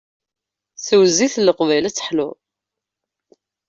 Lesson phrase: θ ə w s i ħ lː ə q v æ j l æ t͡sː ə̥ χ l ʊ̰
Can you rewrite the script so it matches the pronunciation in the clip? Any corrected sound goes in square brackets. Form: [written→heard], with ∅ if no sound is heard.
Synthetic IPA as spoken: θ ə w [s→z] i [ħ→θ] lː ə q v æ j l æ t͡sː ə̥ [χ→ħ] l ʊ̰